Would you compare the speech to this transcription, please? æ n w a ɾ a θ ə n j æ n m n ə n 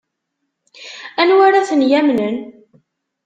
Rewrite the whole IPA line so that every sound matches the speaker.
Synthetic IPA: æ n w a ɾ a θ ə n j æ m n ə n

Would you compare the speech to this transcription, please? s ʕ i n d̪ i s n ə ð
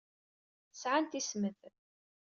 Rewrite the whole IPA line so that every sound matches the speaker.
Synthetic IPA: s ʕ a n t̪ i s m ə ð

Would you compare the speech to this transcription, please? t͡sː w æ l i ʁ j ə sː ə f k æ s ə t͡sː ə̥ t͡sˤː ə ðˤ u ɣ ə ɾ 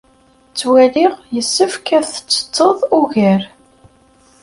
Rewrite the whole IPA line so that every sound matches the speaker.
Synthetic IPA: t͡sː w æ l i ʁ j ə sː ə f k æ θ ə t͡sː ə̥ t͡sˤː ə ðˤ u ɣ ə ɾ

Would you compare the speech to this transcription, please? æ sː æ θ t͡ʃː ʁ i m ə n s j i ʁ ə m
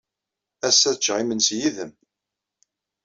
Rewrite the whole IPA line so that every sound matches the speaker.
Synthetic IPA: æ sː æ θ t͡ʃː ʁ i m ə n s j i ð ə m

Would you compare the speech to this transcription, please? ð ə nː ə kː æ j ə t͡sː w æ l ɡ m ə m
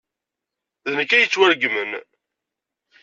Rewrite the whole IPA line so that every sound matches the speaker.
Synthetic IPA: ð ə n ə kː æ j ə t͡sː w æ ɾ ɡ m ə n

